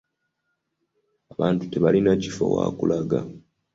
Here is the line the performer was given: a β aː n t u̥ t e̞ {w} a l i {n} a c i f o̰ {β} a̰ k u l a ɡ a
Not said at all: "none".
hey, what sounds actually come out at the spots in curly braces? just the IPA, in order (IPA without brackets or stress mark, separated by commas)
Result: β, n, w